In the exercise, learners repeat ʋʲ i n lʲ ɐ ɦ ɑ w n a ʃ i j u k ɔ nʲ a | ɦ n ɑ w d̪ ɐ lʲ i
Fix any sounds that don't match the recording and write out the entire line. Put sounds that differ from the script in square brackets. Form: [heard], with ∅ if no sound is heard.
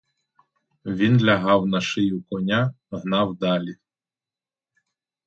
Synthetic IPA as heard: ʋʲ i n lʲ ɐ ɦ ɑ w n [ɐ] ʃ [ɪ] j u k ɔ nʲ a | ɦ n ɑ w d̪ [ɑ] lʲ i